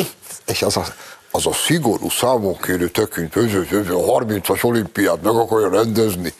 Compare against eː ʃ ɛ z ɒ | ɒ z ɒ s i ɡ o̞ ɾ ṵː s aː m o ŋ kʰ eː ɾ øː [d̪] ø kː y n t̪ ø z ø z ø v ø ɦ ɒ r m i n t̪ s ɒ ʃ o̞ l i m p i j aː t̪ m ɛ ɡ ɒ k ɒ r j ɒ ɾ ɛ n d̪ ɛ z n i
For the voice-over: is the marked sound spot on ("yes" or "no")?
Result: no